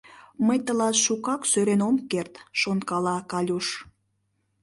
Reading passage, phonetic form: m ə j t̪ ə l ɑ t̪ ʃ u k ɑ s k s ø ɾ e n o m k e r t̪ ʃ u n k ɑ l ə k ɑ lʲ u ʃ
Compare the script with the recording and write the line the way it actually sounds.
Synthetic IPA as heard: m ə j t̪ ə l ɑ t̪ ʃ u k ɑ k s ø ɾ e n o m k e r t̪ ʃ o n k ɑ l ɑ k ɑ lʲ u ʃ